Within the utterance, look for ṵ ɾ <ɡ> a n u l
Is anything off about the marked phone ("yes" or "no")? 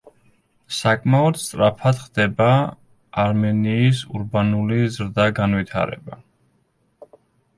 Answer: yes